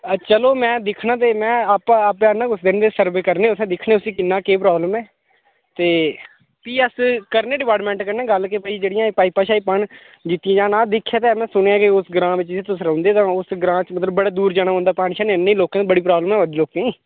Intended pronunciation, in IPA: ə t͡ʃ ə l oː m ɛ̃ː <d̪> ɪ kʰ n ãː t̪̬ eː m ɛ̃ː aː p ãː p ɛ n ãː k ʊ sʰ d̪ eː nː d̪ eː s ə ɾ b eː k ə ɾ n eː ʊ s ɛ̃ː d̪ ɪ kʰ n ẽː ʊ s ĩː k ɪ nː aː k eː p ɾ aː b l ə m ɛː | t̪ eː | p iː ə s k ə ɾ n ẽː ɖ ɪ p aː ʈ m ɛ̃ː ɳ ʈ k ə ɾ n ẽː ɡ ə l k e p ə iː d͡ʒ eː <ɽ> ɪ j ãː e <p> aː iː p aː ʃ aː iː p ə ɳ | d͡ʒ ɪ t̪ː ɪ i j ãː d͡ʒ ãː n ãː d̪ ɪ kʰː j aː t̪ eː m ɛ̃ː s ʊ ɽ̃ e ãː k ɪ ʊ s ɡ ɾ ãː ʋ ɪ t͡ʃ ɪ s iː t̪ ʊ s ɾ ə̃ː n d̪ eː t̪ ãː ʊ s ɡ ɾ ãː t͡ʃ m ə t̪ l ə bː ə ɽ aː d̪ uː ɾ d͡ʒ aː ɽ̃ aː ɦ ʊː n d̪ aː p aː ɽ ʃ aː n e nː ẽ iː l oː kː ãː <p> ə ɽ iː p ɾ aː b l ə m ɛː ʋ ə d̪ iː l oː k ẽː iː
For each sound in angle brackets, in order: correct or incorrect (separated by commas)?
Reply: correct, correct, correct, incorrect